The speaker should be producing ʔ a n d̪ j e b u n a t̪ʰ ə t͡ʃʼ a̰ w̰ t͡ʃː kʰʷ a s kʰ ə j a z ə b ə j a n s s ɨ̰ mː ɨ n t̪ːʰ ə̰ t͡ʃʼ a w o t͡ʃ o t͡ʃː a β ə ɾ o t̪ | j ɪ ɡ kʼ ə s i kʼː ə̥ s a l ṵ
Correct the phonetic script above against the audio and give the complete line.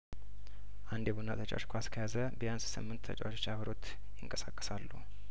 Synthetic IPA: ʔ a n d̪ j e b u n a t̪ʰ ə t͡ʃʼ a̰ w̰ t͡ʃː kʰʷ a s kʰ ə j a z ə b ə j a n s s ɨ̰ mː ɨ n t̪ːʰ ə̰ t͡ʃʼ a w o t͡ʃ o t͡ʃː a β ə ɾ o t̪ | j ɪ ŋ kʼ ə s a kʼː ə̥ s a lː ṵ